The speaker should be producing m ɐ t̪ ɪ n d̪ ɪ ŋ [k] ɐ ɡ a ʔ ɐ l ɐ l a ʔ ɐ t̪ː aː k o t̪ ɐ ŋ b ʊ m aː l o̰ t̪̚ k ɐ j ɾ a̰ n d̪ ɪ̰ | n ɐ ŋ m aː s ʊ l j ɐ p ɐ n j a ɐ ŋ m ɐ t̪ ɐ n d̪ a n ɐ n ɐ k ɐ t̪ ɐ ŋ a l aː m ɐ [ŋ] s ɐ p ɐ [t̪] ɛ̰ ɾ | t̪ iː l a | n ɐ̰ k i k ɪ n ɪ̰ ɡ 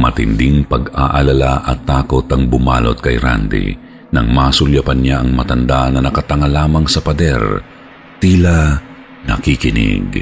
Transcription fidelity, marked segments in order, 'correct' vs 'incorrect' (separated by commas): incorrect, correct, incorrect